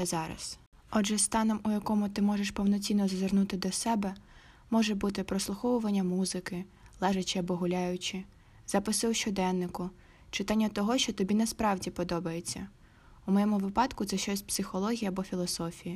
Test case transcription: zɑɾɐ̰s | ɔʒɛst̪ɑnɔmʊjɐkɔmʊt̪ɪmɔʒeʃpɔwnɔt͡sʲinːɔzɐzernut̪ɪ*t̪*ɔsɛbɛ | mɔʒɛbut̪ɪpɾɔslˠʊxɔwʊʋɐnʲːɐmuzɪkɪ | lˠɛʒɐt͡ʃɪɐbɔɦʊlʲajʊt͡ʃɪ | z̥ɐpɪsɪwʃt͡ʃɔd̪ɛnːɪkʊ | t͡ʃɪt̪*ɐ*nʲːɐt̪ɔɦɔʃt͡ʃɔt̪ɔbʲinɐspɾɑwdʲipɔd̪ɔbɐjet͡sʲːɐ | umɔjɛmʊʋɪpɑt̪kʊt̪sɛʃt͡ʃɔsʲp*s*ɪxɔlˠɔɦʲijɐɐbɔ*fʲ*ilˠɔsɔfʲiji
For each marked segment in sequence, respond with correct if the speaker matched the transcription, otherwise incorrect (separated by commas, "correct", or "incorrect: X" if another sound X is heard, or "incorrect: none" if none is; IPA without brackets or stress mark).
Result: incorrect: d̪, incorrect: ɑ, correct, correct